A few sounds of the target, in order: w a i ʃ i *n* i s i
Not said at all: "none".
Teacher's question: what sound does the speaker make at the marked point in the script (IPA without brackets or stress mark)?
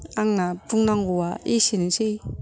n